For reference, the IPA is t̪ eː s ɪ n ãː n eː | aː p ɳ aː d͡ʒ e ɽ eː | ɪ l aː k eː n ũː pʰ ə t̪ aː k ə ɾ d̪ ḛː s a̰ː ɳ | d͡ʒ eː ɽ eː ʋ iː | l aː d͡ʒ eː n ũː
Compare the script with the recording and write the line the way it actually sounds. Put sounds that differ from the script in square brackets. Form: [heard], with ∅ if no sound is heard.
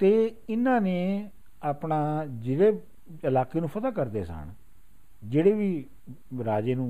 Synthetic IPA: t̪ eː [∅] ɪ n ãː n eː | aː p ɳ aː d͡ʒ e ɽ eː | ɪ l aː k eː n ũː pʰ ə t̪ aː k ə ɾ d̪ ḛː s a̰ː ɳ | d͡ʒ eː ɽ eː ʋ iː | [ɾ] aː d͡ʒ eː n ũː